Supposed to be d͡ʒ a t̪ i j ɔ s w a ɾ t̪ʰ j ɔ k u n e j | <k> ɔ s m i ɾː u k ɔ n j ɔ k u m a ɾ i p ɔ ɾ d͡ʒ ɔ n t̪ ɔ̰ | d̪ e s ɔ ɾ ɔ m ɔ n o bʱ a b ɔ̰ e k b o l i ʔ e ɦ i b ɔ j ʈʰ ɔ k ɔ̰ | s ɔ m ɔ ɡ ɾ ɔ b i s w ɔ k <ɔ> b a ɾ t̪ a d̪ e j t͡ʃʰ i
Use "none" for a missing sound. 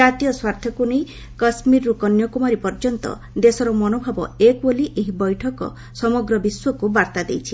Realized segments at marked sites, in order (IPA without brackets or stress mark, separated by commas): k, u